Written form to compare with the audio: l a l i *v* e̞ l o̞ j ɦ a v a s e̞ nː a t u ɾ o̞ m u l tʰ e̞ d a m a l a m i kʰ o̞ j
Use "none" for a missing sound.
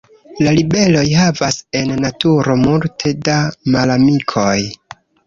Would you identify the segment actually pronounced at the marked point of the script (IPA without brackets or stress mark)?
b